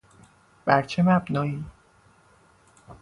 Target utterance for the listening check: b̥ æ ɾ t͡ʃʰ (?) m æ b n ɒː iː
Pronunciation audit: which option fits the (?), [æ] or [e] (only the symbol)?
e